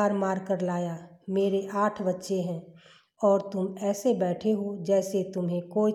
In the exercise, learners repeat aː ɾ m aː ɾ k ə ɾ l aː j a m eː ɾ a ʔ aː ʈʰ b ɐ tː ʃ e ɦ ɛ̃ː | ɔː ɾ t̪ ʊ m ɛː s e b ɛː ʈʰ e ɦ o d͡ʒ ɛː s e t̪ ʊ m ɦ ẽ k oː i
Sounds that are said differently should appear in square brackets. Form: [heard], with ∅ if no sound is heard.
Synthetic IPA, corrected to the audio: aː ɾ m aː ɾ k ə ɾ l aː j a m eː ɾ [e] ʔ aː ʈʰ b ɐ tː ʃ e ɦ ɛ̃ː | ɔː ɾ t̪ ʊ m ɛː s e b ɛː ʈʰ e ɦ o d͡ʒ ɛː s e t̪ ʊ m ɦ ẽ k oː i